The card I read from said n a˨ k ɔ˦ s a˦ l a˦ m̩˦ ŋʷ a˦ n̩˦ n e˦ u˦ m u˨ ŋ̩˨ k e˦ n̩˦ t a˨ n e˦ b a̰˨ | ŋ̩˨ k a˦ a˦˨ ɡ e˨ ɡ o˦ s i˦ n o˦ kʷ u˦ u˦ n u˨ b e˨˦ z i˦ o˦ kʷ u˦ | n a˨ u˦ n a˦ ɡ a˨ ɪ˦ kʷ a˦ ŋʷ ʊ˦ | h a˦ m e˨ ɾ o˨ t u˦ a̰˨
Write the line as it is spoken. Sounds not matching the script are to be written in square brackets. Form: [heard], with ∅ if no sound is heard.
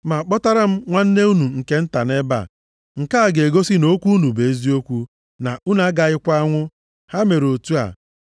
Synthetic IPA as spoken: [m] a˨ [k͡p] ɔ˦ [t] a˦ [ɾ] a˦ m̩˦ ŋʷ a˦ n̩˦ n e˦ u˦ [n] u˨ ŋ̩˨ k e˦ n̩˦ t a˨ n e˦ b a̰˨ | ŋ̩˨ k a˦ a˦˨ ɡ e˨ ɡ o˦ s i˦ n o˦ kʷ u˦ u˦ n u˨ b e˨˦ z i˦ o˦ kʷ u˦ | n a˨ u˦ n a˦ ɡ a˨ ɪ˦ kʷ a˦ ŋʷ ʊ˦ | h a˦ m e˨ ɾ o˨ t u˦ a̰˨